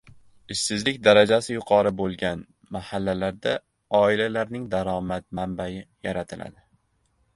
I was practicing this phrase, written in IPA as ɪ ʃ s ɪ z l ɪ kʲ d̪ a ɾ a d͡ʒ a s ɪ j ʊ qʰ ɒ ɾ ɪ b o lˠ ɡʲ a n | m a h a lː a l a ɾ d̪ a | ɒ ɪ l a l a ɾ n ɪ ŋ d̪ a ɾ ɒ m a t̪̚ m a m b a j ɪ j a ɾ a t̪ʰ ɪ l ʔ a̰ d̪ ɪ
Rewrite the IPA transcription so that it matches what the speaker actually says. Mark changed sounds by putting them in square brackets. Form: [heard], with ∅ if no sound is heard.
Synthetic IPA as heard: ɪ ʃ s ɪ z l ɪ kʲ d̪ a ɾ a d͡ʒ a s ɪ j ʊ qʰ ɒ ɾ ɪ b o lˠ ɡʲ a n | m a h a lː a l a ɾ d̪ a | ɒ ɪ l a l a ɾ n ɪ ŋ d̪ a ɾ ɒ m a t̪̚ m a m b a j ɪ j a ɾ a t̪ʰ ɪ l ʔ a̰ d̪ ɪ

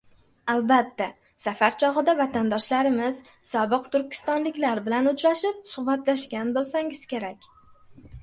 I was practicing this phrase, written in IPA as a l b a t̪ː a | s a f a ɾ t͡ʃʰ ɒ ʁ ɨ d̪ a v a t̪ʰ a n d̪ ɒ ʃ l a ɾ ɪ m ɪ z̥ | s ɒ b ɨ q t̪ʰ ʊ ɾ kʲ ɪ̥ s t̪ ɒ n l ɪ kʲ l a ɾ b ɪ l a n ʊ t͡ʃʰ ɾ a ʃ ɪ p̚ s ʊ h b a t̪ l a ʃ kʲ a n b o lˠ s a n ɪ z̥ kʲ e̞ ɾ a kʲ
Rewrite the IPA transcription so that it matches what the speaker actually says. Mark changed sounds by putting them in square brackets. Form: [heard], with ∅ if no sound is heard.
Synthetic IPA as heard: a l b a t̪ː a | s a f a ɾ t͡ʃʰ ɒ ʁ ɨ d̪ a v a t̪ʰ a n d̪ ɒ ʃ l a ɾ ɪ m ɪ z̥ | s ɒ b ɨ q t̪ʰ ʊ ɾ kʲ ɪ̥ s t̪ ɒ n l ɪ kʲ l a ɾ b ɪ l a n ʊ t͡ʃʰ ɾ a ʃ ɪ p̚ s ʊ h b a t̪ l a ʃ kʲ a n b o lˠ s a [ŋ] ɪ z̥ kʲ e̞ ɾ a kʲ

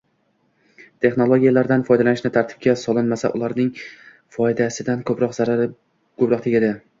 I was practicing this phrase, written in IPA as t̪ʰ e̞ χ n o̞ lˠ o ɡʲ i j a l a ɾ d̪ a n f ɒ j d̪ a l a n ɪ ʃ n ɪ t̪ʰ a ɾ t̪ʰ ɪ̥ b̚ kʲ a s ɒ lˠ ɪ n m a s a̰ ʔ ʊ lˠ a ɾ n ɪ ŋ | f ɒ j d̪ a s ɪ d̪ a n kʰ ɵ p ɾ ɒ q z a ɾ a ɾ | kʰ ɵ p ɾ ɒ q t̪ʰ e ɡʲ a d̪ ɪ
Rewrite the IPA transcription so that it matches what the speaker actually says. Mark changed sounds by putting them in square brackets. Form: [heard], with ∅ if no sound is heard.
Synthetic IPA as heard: t̪ʰ e̞ χ n o̞ lˠ o ɡʲ i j a l a ɾ d̪ a n f ɒ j d̪ a l a n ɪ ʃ n ɪ t̪ʰ a ɾ t̪ʰ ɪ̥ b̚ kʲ a s ɒ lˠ ɪ n m a s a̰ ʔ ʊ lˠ a ɾ n ɪ ŋ | f ɒ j d̪ a s ɪ d̪ a n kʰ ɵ p ɾ ɒ q z a ɾ a ɾ | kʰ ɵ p ɾ ɒ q t̪ʰ e ɡʲ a d̪ ɪ

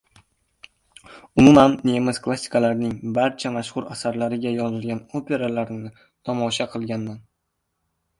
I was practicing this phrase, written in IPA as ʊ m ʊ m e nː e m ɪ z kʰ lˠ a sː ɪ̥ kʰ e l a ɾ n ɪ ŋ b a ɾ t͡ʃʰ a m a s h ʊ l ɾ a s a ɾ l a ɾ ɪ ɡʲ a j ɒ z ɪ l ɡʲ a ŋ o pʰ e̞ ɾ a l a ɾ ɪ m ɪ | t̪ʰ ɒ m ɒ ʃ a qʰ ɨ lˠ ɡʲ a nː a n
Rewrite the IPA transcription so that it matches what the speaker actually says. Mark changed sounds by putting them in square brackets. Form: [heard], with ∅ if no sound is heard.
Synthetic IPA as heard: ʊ m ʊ m [a] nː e m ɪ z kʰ lˠ a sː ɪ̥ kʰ [a] l a ɾ n ɪ ŋ b a ɾ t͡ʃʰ a m a [ʃ] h ʊ [∅] ɾ a s a ɾ l a ɾ ɪ ɡʲ a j ɒ z ɪ l ɡʲ a [n] o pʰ e̞ ɾ a l a ɾ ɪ [n] ɪ | t̪ʰ ɒ m ɒ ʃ a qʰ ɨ lˠ ɡʲ a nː a n

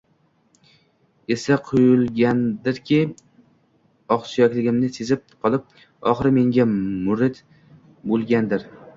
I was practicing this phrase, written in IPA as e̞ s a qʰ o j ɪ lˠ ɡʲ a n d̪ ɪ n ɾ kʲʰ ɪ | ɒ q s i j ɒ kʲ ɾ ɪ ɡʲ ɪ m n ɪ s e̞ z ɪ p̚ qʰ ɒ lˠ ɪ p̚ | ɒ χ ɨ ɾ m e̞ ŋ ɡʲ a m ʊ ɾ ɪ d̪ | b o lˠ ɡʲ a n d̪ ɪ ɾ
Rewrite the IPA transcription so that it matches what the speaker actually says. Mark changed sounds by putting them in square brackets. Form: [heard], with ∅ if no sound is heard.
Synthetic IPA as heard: e̞ s a qʰ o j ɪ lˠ ɡʲ a n d̪ ɪ [∅] ɾ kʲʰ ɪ | ɒ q s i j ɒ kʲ [l] ɪ ɡʲ ɪ m n ɪ s e̞ z ɪ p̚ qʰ ɒ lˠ ɪ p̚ | ɒ χ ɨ ɾ m e̞ ŋ ɡʲ a m ʊ ɾ ɪ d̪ | b o lˠ ɡʲ a n d̪ ɪ ɾ

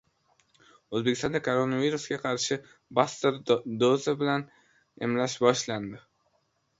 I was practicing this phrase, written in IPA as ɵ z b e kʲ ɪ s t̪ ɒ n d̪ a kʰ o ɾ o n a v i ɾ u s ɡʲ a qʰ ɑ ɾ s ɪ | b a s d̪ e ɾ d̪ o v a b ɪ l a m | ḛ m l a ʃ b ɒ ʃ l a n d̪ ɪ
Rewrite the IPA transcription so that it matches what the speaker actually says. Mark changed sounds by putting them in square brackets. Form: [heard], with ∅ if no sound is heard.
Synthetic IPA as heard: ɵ z b e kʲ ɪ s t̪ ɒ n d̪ a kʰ o ɾ o n a v i ɾ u s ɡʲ a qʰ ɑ ɾ [ʃ] ɪ | b a s [t̪] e ɾ d̪ o [z] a b ɪ l a [n] | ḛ m l a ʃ b ɒ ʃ l a n d̪ ɪ

